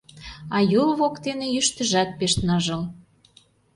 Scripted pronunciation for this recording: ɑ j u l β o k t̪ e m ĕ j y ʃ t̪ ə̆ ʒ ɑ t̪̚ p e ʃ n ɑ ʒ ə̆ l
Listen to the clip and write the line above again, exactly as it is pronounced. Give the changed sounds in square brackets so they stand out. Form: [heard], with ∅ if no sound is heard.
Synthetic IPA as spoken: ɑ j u l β o k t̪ e [n] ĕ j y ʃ t̪ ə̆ ʒ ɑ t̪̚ p e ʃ n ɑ ʒ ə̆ l